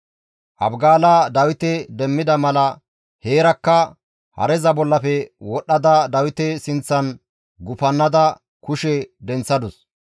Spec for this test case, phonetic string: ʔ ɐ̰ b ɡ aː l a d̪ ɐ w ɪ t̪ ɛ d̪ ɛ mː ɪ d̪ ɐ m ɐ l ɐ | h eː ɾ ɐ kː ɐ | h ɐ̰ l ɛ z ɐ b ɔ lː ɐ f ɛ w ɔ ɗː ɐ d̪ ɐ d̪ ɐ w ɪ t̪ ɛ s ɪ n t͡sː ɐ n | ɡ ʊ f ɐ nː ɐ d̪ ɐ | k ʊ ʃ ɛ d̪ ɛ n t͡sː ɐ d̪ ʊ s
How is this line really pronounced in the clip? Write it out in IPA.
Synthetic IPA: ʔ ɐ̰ b ɡ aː l a d̪ ɐ w ɪ t̪ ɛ d̪ ɛ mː ɪ d̪ ɐ m ɐ l ɐ | h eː ɾ ɐ kː ɐ | h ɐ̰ ɾ ɛ z ɐ b ɔ lː ɐ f ɛ w ɔ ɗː ɐ d̪ ɐ d̪ ɐ w ɪ t̪ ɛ s ɪ n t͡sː ɐ n | ɡ ʊ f ɐ nː ɐ d̪ ɐ | k ʊ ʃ ɛ d̪ ɛ n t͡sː ɐ d̪ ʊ s